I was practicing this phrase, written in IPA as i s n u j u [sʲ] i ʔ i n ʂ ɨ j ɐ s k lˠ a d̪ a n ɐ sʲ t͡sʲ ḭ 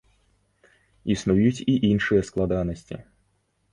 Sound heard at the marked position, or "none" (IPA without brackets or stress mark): t͡sʲ